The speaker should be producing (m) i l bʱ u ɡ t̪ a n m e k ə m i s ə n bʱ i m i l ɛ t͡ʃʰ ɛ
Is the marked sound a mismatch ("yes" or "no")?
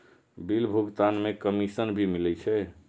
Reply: yes